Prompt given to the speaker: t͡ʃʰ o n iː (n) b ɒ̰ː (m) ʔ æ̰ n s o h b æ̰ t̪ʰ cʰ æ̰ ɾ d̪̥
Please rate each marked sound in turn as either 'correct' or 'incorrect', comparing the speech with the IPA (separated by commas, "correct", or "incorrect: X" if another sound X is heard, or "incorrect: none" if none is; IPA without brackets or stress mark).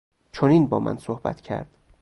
correct, correct